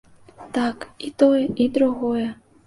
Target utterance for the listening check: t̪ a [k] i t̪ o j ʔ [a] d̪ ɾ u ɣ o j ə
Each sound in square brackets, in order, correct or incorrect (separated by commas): correct, incorrect